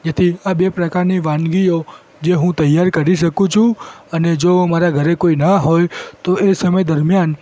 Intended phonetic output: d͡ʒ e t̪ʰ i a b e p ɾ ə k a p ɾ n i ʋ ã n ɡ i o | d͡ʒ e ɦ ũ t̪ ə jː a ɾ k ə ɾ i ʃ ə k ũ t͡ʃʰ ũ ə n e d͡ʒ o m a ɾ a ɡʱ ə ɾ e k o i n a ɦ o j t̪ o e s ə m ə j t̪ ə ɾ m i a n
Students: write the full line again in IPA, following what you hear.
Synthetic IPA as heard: d͡ʒ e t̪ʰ i a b e p ɾ ə k a ɾ n i ʋ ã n ɡ i o | d͡ʒ e ɦ ũ t̪ ə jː a ɾ k ə ɾ i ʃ ə k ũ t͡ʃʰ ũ ə n e d͡ʒ o m a ɾ a ɡʱ ə ɾ e k o i n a ɦ o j t̪ o e s ə m ə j d̪ ə ɾ m j a n